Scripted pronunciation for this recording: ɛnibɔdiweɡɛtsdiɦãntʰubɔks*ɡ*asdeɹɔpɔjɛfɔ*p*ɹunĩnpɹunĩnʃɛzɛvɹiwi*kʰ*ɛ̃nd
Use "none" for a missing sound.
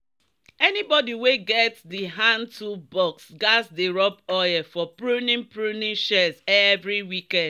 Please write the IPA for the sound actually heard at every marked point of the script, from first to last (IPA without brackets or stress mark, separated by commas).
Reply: ɡ, p, k